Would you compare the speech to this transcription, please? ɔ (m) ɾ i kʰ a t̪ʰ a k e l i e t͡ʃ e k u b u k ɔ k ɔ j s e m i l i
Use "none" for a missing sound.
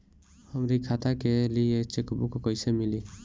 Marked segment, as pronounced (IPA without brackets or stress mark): m